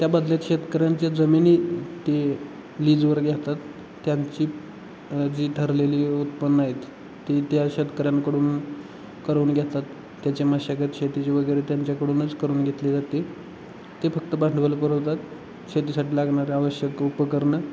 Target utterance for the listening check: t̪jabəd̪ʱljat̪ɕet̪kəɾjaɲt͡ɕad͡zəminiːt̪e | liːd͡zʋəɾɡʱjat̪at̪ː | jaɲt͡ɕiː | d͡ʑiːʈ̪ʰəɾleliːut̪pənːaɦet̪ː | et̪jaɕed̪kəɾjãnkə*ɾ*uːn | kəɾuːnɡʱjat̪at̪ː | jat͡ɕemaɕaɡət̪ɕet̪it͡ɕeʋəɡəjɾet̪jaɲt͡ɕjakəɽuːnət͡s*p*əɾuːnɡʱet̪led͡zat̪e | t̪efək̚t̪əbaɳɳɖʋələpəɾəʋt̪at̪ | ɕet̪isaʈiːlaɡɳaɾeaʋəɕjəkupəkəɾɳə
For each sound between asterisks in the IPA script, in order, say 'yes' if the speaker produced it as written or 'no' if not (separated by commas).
no, no